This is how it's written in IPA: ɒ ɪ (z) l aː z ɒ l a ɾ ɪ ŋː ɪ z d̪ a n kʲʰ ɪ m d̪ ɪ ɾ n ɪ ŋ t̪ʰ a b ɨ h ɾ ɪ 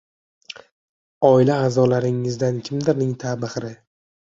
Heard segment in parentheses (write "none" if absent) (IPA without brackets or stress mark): none